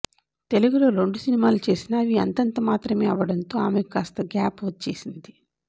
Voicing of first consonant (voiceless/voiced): voiceless